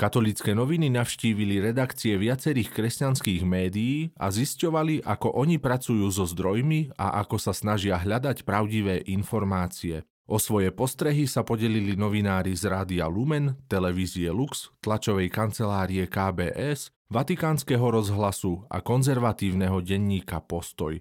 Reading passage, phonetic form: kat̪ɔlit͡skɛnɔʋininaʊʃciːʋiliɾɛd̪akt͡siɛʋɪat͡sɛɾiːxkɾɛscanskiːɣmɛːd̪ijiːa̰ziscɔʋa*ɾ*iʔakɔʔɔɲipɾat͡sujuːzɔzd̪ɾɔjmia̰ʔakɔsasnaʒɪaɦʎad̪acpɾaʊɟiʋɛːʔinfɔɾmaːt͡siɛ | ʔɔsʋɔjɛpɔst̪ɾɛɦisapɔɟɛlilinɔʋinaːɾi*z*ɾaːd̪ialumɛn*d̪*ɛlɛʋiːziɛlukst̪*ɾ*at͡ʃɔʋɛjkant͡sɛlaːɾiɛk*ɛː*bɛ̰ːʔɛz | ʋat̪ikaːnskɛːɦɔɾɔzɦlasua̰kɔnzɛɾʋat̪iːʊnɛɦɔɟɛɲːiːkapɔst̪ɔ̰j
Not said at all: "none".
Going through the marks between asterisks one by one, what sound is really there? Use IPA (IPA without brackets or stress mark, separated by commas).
l, z, t̪, l, aː